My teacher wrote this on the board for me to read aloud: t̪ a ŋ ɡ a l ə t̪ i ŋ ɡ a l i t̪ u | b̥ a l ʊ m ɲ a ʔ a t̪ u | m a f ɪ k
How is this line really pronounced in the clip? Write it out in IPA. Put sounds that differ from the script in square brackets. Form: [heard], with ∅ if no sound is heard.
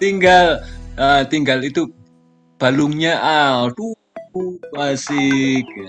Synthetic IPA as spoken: t̪ [i] ŋ ɡ a l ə t̪ i ŋ ɡ a l i t̪ u | b̥ a l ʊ [ŋ] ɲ a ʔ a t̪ u | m a [s] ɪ k